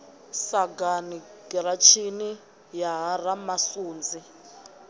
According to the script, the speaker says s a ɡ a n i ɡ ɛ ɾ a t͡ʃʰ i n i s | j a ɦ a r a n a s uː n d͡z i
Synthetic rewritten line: s a ɡ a n i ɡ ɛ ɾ a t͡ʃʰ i n i | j a ɦ a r a m a s uː n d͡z i